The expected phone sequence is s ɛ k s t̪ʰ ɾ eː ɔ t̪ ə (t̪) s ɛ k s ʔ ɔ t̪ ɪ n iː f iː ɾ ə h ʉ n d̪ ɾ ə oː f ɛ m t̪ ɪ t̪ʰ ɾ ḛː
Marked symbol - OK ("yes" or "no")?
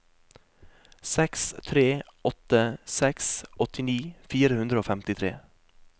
no